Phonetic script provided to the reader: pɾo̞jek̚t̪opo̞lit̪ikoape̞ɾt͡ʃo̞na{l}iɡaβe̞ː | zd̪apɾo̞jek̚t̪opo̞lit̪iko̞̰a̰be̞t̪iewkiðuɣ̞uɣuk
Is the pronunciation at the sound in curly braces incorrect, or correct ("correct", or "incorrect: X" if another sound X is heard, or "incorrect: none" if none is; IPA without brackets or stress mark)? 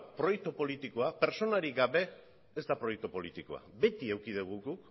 incorrect: ɾ